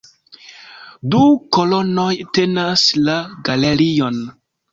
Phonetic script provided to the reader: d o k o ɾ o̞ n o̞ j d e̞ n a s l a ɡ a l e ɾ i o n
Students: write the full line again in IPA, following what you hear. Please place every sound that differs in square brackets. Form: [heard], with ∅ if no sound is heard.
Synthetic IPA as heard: d [u] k o [l] o̞ n o̞ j [t] e̞ n a s l a ɡ a l e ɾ i o n